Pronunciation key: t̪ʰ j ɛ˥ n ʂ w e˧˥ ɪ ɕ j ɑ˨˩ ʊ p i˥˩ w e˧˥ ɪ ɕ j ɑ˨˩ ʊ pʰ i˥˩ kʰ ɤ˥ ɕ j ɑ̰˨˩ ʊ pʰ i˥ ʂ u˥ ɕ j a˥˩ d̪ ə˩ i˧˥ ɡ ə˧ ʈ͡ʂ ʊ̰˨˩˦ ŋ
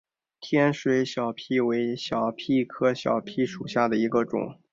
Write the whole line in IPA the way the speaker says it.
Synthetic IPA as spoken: t̪ʰ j ɛ˥ n ʂ w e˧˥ ɪ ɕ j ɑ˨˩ ʊ pʰ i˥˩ w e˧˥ ɪ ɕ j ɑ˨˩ ʊ pʰ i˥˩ kʰ ɤ˥ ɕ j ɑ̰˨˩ ʊ pʰ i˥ ʂ u˨˩ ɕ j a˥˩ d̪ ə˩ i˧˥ ɡ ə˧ ʈ͡ʂ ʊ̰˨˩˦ ŋ